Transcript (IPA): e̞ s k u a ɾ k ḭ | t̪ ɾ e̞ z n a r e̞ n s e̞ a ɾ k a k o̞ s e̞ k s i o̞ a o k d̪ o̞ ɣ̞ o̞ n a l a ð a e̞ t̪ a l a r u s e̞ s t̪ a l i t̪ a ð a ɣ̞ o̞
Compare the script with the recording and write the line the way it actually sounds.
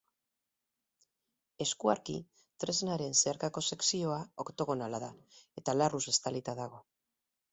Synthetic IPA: e̞ s k u a ɾ k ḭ | t̪ ɾ e̞ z n a ɾ e̞ n s e̞ a ɾ k a k o̞ s e̞ k s i o̞ a o k t̪ o̞ ɣ̞ o̞ n a l a ð a e̞ t̪ a l a r u s e̞ s t̪ a l i t̪ a ð a ɣ̞ o̞